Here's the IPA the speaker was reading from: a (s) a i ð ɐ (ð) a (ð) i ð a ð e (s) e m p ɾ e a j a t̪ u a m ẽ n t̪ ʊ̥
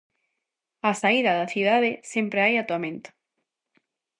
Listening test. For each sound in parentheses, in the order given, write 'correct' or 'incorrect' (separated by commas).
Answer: correct, correct, incorrect, correct